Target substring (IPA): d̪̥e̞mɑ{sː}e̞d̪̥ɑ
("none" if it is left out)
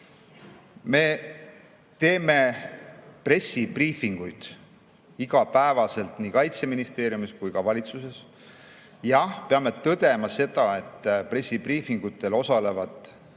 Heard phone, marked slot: s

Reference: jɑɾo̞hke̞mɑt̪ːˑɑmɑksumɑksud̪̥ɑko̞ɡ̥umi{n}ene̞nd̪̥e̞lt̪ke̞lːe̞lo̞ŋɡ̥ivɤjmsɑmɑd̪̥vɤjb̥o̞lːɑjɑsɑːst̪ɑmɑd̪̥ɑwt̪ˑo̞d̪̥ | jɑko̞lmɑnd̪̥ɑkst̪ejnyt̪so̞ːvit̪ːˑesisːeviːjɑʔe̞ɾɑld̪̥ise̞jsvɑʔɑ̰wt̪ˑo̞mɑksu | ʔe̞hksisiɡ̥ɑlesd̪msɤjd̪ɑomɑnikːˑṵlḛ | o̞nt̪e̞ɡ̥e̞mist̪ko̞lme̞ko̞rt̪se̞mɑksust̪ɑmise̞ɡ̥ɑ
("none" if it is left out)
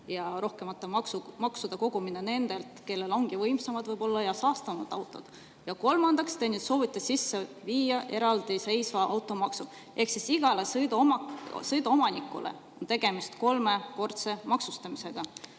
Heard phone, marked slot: n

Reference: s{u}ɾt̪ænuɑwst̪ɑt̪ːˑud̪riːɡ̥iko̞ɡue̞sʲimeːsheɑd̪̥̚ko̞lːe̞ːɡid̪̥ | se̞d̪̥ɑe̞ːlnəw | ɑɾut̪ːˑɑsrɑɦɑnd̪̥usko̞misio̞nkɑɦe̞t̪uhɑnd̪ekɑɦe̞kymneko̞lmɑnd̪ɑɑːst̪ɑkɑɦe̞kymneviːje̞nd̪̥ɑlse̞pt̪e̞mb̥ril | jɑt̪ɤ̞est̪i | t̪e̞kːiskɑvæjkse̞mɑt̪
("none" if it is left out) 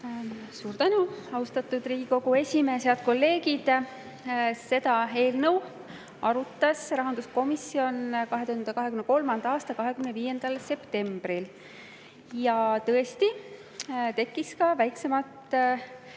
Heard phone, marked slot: uː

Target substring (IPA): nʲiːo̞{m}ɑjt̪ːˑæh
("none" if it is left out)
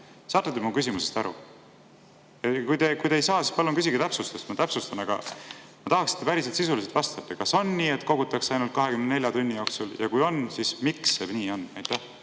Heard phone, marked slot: n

